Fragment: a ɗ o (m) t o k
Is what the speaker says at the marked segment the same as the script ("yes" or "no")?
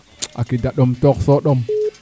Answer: yes